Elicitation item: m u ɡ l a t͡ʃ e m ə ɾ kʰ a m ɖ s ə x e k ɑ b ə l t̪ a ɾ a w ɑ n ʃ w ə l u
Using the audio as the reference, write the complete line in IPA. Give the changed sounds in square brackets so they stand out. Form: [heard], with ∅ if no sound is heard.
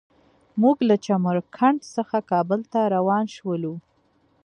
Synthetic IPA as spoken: m u ɡ l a t͡ʃ [a] m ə ɾ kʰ a [ɳ] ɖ s ə x [a] k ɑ b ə l t̪ a ɾ a w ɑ n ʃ w ə l u